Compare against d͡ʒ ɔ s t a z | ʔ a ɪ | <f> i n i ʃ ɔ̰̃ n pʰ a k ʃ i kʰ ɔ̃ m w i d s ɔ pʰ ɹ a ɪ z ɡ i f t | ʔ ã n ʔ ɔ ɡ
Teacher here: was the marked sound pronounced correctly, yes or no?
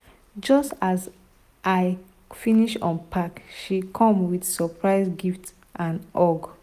yes